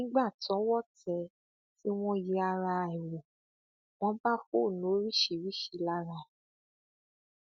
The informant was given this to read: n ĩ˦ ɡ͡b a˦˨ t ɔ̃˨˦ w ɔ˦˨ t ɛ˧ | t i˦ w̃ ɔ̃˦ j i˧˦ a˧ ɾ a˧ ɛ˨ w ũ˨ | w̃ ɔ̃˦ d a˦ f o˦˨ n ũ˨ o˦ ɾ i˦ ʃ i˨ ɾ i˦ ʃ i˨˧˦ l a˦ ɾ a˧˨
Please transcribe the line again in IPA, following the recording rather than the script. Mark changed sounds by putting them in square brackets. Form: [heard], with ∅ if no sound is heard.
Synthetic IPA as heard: n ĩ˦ ɡ͡b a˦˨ t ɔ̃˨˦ w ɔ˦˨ t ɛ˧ | t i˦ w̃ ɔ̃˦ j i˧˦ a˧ ɾ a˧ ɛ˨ w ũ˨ | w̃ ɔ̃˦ [b] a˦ f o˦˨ n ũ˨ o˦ ɾ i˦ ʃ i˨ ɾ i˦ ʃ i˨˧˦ l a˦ ɾ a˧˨

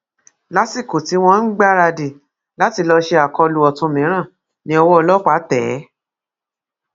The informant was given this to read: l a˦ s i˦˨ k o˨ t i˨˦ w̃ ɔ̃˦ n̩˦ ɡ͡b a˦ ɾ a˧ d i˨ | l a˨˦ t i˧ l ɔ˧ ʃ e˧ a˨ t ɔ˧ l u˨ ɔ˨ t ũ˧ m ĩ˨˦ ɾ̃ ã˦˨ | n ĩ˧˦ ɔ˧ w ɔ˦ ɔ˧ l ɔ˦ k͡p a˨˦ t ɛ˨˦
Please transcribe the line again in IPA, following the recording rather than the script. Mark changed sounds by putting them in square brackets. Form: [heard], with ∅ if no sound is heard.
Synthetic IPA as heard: l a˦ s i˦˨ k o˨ t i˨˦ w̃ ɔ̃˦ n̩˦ ɡ͡b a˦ ɾ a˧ d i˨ | l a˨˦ t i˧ l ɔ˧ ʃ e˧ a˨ [k] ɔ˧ l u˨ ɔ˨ t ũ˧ m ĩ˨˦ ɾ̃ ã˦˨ | n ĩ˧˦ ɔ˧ w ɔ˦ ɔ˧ l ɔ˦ k͡p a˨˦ t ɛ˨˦

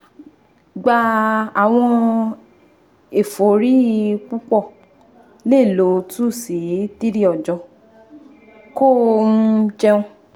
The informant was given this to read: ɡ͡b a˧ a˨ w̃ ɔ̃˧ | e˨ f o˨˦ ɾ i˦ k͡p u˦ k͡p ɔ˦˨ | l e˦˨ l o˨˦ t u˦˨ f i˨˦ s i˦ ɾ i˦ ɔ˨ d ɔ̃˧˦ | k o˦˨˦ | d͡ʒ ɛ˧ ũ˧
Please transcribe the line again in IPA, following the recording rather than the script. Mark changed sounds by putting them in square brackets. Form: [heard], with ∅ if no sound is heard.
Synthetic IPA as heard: ɡ͡b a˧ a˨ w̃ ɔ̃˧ | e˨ f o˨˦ ɾ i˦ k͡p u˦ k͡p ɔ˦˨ | l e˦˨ l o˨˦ t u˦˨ [s] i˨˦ [t] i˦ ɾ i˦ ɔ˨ [d͡ʒ] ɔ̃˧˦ | k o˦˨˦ | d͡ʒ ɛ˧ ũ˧

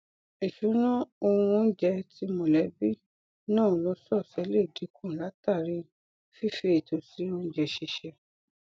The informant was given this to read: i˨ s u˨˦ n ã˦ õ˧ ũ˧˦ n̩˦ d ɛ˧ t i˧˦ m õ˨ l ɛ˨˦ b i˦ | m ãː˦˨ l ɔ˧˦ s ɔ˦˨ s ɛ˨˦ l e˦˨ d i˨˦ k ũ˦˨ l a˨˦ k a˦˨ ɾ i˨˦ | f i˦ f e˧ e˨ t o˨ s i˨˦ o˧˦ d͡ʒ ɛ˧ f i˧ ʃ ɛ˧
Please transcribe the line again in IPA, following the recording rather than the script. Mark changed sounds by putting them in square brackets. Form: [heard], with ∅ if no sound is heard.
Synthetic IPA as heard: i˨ [ʃ] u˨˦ n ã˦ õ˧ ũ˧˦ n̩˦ [d͡ʒ] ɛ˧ t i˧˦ m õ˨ l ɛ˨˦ b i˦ | [n] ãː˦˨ l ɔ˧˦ s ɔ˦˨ s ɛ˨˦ l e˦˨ d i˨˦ k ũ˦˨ l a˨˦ [t] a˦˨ ɾ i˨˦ | f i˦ f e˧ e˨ t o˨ s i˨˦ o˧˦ d͡ʒ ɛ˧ [ʃ] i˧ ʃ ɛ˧

